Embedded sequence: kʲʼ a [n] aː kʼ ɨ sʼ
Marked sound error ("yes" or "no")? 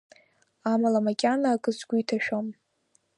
no